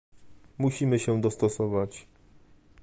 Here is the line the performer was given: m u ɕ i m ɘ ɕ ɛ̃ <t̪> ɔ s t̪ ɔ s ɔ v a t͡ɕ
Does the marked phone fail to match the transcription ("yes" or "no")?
yes